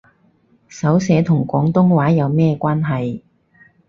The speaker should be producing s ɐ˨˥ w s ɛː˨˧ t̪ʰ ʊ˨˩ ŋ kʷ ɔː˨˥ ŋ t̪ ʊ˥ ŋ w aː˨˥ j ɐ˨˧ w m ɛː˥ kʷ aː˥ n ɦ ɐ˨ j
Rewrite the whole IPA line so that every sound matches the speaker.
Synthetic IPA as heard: s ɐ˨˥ w s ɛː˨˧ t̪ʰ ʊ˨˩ ŋ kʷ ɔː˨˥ ŋ t̪ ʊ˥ ŋ w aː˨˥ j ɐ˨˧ w m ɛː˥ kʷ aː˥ n ɦ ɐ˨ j